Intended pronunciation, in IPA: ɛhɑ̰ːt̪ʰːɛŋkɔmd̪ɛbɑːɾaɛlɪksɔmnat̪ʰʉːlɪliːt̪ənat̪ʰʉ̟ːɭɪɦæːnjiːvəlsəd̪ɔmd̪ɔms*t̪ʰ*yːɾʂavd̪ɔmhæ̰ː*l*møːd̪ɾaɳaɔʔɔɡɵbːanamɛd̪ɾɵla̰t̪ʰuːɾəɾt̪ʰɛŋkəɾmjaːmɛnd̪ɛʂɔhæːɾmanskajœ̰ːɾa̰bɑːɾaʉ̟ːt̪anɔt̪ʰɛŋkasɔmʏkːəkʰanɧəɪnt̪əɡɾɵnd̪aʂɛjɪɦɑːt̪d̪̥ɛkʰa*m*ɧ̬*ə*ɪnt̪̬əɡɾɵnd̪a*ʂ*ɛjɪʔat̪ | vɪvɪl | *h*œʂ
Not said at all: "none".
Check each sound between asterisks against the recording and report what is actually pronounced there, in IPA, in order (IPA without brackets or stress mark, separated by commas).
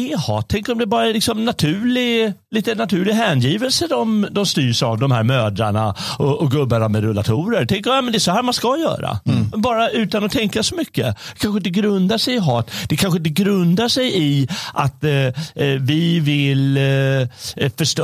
t̪, ɾ, n, ə, ʂ, f